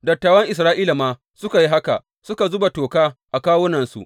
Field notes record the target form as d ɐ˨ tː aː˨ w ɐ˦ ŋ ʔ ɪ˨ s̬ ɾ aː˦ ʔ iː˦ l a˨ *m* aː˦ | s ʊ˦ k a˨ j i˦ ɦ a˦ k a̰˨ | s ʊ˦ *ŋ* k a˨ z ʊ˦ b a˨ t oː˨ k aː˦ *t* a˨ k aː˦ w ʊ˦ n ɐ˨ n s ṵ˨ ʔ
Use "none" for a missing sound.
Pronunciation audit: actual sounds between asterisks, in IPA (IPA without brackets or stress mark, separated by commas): m, none, ʔ